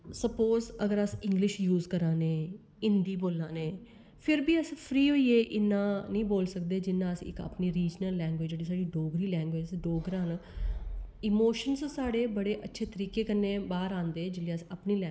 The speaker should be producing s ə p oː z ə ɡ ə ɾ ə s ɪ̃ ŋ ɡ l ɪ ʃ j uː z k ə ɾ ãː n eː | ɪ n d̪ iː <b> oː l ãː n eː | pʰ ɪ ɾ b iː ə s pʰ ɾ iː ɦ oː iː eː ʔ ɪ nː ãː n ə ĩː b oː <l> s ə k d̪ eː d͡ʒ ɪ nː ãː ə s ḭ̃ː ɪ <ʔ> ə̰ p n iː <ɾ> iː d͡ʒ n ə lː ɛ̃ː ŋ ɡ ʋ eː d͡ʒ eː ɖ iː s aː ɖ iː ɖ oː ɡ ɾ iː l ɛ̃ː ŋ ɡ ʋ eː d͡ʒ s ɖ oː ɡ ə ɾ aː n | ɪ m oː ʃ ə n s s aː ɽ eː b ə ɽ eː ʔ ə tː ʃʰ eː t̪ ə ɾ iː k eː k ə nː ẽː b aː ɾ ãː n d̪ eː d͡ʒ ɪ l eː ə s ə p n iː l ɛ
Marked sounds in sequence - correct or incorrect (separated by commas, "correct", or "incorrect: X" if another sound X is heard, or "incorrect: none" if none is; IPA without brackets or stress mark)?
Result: correct, correct, incorrect: k, correct